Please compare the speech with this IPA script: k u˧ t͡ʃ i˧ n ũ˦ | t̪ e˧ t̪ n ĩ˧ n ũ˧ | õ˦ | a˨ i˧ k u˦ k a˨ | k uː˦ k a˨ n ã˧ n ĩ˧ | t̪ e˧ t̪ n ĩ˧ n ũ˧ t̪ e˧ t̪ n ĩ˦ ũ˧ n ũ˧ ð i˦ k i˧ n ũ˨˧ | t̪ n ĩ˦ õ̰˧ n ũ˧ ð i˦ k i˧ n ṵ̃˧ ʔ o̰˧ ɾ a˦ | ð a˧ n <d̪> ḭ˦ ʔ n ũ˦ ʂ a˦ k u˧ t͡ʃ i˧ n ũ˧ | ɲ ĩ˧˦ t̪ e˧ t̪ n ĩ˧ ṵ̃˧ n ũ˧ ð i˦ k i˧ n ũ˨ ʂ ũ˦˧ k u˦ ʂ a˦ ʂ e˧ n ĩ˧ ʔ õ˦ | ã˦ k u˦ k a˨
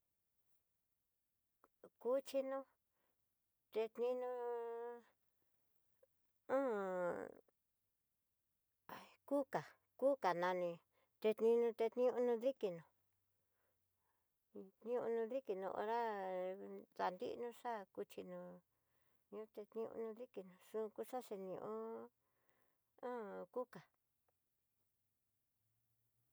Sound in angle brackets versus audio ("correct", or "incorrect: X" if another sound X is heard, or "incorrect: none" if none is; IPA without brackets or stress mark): correct